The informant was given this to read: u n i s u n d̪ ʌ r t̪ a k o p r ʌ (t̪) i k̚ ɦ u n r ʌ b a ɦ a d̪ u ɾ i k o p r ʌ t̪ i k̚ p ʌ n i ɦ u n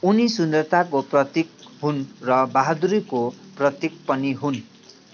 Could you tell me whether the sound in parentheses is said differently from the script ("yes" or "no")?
no